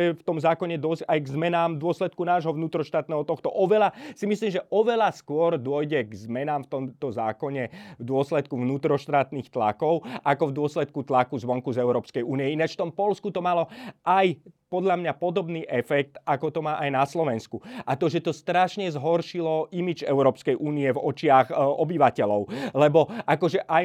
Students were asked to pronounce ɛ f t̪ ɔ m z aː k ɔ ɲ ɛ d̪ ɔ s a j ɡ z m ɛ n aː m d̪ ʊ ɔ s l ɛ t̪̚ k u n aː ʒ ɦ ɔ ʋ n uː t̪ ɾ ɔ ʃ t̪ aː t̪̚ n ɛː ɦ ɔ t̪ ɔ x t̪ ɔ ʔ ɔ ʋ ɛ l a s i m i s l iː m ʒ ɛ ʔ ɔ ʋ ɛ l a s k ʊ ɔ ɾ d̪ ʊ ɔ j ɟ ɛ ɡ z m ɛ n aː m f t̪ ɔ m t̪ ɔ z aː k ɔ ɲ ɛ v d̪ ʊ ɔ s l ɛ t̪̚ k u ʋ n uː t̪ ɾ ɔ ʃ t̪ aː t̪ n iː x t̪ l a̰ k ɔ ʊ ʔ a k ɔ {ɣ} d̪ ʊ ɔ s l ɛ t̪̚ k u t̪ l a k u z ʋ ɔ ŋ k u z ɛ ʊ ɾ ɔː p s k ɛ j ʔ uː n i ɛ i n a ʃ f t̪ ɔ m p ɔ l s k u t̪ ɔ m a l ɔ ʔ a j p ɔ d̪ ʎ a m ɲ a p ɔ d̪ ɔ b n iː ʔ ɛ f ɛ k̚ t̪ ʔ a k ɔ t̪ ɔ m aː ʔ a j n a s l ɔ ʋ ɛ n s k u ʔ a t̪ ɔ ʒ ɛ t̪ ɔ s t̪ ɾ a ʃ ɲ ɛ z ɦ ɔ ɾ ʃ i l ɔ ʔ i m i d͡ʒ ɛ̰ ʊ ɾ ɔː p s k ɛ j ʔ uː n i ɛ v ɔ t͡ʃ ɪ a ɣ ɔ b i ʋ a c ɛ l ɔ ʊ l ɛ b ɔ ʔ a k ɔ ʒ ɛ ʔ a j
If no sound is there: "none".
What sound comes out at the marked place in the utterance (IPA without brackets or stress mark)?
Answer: v